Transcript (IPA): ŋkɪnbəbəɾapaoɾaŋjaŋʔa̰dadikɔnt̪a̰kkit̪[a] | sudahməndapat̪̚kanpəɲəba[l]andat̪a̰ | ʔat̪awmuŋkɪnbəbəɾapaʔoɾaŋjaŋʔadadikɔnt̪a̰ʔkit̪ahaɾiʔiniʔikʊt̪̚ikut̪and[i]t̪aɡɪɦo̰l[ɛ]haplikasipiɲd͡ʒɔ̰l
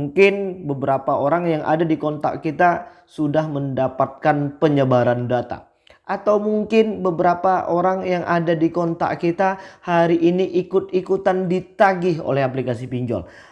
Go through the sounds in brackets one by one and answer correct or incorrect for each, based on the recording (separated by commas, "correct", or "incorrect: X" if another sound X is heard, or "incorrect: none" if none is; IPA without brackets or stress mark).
correct, incorrect: ɾ, correct, correct